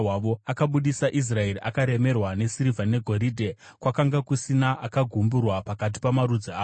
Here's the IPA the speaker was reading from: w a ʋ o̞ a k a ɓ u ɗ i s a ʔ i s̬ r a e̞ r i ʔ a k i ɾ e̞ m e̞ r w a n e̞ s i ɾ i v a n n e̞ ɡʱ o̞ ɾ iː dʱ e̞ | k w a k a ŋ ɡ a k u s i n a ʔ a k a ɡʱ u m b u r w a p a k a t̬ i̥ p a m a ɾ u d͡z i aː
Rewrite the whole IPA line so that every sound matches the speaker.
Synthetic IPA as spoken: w a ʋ o̞ a k a ɓ u ɗ i s a ʔ i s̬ r a e̞ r i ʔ a k a ɾ e̞ m e̞ r w a n e̞ s i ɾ i v a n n e̞ ɡʱ o̞ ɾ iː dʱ e̞ | k w a k a ŋ ɡ a k u s i n a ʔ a k a ɡʱ u m b u r w a p a k a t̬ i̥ p a m a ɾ u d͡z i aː